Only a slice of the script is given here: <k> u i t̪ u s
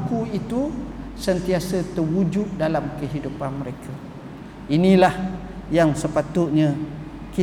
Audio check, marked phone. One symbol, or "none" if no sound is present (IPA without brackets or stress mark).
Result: k